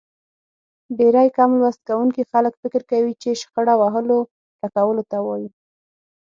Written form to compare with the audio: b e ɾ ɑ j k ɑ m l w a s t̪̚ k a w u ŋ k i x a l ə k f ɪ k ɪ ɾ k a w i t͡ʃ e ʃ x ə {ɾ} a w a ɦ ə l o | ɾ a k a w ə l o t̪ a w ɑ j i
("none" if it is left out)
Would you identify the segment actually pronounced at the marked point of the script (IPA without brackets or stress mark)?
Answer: ɽ